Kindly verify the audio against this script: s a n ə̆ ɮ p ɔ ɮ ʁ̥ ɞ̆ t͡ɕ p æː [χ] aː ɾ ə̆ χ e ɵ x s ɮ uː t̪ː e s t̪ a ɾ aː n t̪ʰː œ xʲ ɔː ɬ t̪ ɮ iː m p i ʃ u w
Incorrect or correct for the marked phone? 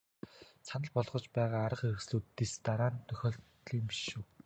incorrect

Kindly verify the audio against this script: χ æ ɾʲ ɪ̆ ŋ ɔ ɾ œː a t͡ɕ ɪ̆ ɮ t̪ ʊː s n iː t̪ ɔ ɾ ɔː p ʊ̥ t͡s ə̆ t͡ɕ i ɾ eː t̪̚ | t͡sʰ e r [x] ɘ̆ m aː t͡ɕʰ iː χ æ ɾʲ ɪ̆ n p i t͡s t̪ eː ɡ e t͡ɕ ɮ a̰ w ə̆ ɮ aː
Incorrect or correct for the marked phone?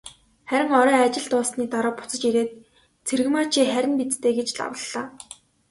incorrect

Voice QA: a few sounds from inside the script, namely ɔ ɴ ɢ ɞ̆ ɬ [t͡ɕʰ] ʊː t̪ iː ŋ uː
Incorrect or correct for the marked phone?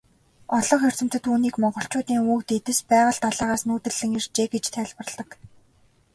incorrect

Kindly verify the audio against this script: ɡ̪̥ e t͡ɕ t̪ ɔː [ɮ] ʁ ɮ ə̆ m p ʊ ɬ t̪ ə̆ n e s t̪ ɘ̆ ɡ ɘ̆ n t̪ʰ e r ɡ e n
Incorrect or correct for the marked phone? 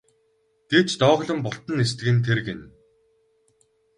incorrect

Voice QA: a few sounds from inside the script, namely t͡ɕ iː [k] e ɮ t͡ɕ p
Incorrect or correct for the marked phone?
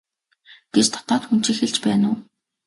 incorrect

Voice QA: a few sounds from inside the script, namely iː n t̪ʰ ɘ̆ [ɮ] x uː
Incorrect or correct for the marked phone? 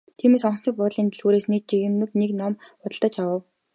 correct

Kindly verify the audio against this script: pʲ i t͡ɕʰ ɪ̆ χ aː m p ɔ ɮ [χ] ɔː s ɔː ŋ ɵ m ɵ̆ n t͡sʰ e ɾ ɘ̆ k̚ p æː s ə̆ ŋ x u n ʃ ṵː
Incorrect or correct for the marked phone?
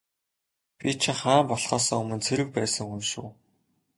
correct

